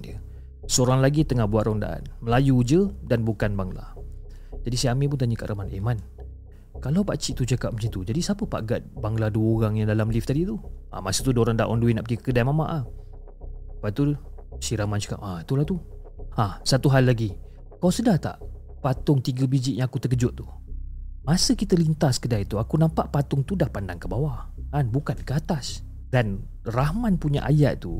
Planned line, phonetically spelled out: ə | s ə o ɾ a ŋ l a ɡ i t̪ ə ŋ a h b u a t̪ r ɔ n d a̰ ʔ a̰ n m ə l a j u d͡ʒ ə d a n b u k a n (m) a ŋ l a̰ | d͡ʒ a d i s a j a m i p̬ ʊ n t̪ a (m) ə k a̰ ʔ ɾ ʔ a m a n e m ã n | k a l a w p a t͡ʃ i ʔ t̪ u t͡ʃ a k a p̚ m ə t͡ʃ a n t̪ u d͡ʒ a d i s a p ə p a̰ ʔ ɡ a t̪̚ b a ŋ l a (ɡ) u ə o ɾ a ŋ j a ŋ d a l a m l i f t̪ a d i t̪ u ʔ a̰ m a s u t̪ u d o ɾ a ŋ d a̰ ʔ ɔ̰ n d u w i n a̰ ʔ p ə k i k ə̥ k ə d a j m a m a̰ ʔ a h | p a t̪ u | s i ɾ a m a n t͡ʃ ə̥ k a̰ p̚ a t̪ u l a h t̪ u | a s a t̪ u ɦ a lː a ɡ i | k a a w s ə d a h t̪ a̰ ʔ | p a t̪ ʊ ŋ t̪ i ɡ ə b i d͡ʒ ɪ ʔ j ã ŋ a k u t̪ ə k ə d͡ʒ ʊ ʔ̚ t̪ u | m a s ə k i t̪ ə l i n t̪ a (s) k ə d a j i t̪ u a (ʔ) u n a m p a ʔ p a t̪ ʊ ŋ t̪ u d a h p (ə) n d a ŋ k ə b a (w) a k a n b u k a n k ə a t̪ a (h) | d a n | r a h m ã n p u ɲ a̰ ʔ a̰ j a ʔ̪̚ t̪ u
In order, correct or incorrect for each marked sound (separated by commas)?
incorrect, incorrect, incorrect, correct, incorrect, incorrect, correct, incorrect